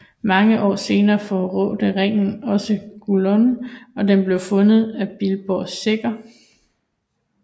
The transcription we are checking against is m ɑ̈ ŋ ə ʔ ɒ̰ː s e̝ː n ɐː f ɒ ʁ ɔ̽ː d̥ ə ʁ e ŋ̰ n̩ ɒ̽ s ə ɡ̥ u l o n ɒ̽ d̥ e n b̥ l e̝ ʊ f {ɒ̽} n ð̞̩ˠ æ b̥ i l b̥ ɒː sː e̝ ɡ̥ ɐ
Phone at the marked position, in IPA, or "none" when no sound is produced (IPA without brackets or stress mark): ɔ̽